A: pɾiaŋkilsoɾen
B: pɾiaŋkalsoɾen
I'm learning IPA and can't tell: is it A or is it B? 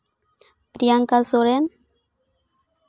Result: B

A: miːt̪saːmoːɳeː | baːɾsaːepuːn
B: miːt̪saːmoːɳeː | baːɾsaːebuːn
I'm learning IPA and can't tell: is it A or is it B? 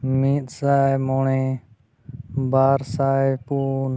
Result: A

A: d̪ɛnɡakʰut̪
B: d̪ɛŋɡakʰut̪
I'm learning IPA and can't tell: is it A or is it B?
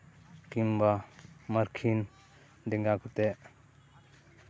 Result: B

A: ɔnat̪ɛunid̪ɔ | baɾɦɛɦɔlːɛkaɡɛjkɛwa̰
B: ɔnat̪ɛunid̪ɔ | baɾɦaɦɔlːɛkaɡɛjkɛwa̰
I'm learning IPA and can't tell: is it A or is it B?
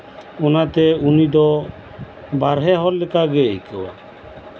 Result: A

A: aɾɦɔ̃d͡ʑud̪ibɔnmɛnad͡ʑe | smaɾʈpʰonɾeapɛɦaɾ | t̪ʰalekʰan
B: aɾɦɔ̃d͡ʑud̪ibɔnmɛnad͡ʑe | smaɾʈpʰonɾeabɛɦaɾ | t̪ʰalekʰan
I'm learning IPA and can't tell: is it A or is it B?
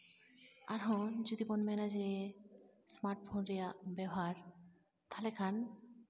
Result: B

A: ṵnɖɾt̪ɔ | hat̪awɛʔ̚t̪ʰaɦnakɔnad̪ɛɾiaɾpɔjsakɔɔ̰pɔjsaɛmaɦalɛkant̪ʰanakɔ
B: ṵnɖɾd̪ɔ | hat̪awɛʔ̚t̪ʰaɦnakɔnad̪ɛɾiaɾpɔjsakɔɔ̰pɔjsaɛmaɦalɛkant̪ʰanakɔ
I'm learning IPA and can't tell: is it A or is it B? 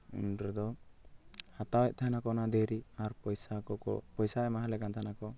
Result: B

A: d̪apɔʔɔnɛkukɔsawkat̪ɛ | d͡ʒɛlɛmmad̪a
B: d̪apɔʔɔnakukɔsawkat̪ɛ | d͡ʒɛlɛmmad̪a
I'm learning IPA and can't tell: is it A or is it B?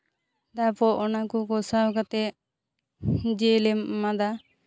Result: B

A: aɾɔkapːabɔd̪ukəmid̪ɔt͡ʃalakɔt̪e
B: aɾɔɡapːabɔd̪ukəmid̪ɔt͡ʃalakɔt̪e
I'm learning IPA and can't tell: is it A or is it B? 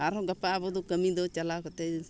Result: B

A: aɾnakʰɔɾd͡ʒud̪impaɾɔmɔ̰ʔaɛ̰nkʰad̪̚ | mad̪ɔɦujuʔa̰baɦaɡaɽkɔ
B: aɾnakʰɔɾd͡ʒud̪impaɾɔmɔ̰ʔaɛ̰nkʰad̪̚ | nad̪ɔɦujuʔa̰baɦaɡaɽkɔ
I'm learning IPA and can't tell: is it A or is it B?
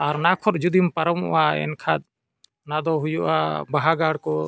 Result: B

